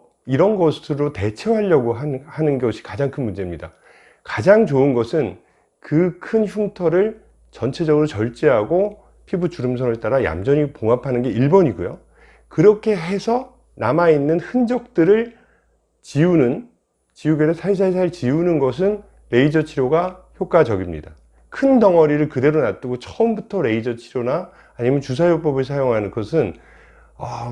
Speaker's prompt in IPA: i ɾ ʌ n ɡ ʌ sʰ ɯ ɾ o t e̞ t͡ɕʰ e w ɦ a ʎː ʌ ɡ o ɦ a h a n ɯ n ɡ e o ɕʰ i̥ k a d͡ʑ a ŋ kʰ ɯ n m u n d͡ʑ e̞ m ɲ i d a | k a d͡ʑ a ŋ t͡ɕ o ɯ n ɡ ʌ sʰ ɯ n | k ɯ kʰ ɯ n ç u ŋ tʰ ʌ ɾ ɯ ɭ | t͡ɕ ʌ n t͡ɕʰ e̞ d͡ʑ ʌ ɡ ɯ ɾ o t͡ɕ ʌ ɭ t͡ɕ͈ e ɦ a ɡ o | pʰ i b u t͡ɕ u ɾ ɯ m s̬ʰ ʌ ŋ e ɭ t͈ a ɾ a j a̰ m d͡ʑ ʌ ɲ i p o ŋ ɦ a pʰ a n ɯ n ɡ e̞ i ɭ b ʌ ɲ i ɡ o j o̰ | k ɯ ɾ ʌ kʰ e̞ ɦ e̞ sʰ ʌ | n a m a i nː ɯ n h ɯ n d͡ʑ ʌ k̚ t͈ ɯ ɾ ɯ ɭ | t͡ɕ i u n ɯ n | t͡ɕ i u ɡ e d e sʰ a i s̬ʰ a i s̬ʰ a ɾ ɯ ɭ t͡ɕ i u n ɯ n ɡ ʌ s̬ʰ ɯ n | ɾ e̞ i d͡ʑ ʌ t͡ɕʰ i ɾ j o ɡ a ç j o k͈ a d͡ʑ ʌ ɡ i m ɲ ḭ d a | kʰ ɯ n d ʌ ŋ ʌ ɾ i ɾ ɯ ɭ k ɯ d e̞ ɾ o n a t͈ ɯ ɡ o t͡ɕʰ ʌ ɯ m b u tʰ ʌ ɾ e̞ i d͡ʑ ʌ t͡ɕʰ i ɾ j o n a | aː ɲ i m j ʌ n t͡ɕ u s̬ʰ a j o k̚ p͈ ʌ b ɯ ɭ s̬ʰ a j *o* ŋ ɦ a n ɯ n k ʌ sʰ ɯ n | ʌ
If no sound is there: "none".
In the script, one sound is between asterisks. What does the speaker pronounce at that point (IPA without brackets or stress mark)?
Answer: o